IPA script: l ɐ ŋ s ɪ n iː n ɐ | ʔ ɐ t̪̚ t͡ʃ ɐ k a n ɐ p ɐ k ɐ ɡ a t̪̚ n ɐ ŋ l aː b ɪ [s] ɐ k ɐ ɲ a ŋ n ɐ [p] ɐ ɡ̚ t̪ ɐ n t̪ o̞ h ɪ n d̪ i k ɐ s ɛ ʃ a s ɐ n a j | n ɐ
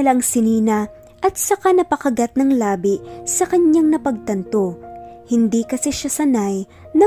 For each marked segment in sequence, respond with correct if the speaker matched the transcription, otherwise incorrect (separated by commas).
correct, correct